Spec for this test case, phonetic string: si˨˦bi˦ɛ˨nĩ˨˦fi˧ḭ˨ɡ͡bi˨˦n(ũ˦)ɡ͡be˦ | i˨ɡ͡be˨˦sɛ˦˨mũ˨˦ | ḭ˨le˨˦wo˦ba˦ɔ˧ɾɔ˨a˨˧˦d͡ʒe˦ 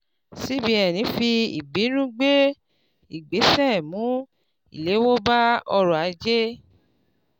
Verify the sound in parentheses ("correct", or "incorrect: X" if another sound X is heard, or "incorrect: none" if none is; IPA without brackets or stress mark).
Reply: correct